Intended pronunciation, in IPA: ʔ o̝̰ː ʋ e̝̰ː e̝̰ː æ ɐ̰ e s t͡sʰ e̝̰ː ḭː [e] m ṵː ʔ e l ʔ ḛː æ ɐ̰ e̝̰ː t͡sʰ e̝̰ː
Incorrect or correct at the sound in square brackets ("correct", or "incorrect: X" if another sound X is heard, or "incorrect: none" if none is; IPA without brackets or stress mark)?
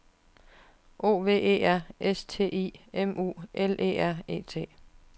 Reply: correct